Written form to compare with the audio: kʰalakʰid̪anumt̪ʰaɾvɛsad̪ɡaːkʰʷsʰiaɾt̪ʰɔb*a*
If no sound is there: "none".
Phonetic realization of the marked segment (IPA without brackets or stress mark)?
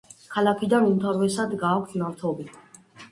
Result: i